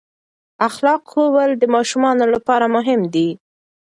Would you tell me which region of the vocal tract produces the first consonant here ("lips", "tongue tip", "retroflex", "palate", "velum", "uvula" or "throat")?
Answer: velum